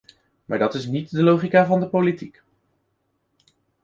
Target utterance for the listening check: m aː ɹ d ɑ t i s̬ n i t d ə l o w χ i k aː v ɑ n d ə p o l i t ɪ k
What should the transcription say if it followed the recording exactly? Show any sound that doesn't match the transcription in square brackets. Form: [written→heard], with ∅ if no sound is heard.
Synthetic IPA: m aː ɹ d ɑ t [i→ɪ] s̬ n i t d ə l o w χ i k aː v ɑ n d ə p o l i t [ɪ→i] k